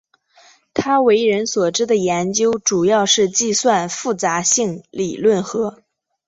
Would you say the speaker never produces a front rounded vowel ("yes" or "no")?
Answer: yes